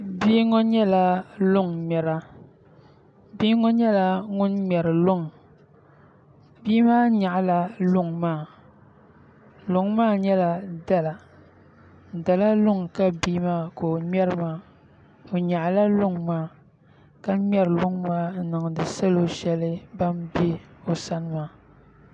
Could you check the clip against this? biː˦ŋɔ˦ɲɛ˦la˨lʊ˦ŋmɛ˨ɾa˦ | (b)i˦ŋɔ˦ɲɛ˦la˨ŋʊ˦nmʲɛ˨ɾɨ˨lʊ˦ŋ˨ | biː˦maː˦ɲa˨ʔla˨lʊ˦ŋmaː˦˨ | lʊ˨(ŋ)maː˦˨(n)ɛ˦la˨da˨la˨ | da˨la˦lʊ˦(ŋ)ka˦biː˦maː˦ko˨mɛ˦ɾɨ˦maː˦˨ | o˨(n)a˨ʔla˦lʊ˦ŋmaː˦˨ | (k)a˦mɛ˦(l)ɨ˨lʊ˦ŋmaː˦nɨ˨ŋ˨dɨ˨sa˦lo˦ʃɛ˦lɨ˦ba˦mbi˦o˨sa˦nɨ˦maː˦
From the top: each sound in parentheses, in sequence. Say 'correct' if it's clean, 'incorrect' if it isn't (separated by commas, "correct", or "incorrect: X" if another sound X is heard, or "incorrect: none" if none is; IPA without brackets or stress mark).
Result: correct, correct, incorrect: ɲ, correct, incorrect: ɲ, correct, incorrect: ɾ